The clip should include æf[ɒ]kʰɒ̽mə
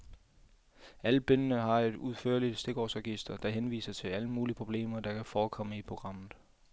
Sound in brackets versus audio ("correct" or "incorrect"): incorrect